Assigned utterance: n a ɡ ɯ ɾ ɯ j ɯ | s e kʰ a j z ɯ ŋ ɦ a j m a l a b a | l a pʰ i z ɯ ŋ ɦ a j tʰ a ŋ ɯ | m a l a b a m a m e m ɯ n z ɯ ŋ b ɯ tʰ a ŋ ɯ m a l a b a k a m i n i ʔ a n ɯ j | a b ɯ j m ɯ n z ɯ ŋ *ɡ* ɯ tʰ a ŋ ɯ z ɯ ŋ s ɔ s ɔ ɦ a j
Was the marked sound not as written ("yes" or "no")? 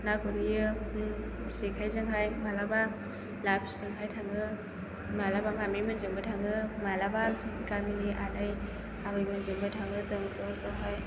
yes